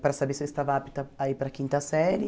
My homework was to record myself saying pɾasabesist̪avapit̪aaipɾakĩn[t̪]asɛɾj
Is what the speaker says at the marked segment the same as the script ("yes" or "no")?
yes